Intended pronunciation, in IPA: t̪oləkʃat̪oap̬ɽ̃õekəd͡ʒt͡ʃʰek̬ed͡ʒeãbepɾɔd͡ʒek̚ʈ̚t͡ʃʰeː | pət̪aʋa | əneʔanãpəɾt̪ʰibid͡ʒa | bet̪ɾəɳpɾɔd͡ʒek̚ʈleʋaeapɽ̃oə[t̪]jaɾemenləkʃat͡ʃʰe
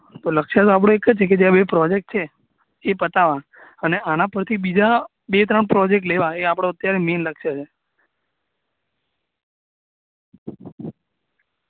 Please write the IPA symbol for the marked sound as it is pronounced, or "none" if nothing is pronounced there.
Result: t̪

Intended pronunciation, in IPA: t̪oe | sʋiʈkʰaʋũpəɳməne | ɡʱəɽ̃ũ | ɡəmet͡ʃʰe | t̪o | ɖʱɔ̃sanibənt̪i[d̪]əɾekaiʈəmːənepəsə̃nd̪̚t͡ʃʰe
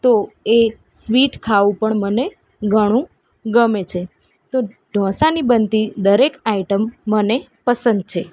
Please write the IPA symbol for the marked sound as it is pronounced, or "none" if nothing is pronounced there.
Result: d̪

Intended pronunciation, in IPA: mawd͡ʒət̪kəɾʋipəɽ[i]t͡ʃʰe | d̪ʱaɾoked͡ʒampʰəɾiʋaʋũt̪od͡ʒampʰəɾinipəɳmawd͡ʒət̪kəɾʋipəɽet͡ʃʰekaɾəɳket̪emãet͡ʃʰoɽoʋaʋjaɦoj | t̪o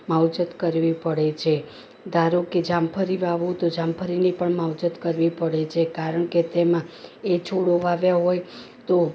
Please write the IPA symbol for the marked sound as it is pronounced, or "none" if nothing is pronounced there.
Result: e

